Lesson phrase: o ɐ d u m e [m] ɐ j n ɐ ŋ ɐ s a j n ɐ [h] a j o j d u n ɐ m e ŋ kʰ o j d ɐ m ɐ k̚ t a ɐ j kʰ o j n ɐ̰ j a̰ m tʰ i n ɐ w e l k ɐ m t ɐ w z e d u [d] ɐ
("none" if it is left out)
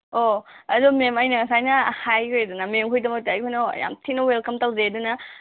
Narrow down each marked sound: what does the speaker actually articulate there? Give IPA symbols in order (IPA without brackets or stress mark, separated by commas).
m, h, n